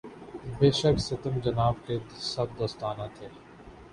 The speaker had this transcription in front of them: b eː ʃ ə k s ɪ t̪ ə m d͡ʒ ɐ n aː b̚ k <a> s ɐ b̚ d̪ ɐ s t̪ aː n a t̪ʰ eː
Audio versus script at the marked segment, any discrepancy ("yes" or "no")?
yes